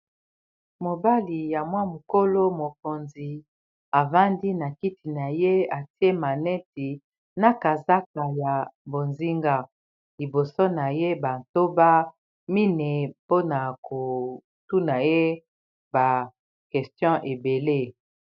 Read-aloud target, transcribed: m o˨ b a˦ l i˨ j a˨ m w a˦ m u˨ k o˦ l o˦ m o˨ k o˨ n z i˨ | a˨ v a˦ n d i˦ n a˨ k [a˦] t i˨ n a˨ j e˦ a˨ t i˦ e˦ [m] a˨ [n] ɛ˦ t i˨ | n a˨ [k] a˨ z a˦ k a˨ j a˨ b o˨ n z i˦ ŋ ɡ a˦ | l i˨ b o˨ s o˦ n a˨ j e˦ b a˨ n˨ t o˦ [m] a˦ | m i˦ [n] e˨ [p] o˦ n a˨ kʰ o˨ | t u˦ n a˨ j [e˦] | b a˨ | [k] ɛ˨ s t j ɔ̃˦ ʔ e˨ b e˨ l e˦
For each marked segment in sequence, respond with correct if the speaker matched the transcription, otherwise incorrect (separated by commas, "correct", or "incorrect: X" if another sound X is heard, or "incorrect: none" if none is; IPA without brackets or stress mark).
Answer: incorrect: i˦, correct, correct, correct, incorrect: b, correct, correct, correct, correct